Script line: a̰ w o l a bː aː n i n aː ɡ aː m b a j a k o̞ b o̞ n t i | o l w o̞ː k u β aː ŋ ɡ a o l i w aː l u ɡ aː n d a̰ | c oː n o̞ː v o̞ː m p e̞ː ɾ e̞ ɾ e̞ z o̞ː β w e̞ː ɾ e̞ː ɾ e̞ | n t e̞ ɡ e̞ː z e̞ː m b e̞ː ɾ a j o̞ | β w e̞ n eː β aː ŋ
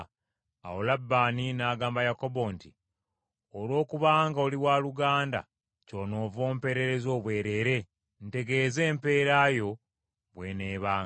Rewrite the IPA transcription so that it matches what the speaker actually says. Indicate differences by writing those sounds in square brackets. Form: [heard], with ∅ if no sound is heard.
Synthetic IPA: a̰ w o l a bː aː n i n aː ɡ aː m b a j a k o̞ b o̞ n t i | o l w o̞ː k u β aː ŋ ɡ a o l i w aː l u ɡ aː n d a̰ | c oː n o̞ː v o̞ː m p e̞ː ɾ e̞ ɾ e̞ z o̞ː β w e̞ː ɾ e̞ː ɾ e̞ | n t e̞ ɡ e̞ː z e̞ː m [p] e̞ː ɾ a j o̞ | β w e̞ n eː β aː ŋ